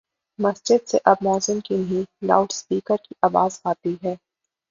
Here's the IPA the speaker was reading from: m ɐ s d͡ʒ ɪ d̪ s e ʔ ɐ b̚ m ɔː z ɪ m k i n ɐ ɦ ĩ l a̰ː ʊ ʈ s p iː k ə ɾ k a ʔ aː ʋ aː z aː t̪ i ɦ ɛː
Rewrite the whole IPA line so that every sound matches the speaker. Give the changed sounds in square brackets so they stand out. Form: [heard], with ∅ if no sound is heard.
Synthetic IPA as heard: m ɐ s d͡ʒ ɪ d̪ s e ʔ ɐ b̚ m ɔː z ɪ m k i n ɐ ɦ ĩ l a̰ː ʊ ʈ s p iː k ə ɾ k [i] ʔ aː ʋ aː z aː t̪ i ɦ ɛː

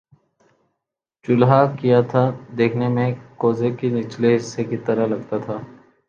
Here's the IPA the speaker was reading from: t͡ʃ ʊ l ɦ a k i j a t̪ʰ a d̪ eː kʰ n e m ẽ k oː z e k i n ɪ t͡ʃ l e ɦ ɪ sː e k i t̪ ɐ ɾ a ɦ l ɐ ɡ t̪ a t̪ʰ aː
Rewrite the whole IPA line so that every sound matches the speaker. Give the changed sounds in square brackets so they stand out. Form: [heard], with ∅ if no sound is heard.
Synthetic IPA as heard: t͡ʃ ʊ l ɦ a k i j a t̪ʰ a d̪ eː kʰ n e m ẽ k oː z e k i n ɪ t͡ʃ l e ɦ ɪ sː e k i t̪ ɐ ɾ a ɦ l ɐ ɡ t̪ a t̪ʰ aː

